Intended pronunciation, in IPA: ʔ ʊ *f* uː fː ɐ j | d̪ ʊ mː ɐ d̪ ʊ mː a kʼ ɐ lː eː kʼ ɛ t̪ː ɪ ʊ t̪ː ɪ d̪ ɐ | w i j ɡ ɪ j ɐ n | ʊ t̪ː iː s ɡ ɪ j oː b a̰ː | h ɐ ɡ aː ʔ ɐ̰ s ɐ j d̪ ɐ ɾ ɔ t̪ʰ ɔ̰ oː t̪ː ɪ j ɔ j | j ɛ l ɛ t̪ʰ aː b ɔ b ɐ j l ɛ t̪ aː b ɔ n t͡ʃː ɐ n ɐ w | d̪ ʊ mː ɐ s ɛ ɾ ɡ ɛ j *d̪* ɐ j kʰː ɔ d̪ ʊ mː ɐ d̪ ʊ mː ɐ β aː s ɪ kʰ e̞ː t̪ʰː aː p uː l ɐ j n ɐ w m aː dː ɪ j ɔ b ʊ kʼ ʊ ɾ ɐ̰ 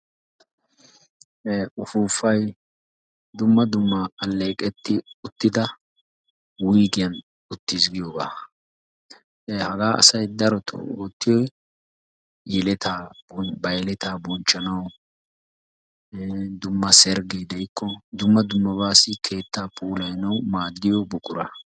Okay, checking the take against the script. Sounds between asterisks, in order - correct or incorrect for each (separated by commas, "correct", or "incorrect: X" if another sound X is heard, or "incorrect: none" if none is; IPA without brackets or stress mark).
correct, correct